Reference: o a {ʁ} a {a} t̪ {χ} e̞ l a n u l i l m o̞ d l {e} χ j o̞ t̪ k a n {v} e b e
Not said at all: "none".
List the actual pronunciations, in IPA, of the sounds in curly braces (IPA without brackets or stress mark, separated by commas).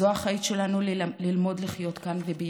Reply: χ, i, ʃ, i, v